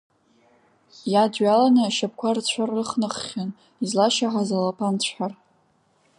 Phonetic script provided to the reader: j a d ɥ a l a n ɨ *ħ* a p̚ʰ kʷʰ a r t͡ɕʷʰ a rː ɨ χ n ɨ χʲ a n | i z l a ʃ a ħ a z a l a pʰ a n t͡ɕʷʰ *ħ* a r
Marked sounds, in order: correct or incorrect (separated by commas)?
incorrect, correct